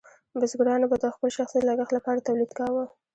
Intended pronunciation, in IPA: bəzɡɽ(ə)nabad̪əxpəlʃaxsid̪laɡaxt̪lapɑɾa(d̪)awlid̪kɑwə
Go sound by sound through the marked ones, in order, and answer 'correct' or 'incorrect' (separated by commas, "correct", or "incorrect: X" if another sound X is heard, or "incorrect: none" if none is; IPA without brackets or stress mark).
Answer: incorrect: ɑ, incorrect: t̪